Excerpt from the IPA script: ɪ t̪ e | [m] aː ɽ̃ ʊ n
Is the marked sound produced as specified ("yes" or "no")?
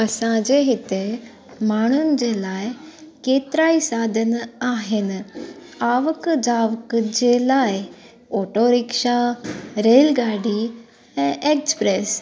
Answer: yes